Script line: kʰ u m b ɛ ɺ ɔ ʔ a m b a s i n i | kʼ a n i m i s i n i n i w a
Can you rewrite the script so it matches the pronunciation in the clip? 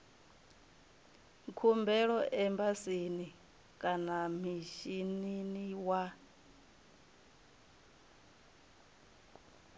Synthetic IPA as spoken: kʰ u m b ɛ ɺ ɔ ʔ ɛ m b a s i n i | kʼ a n a m i ʃ i n i n i w a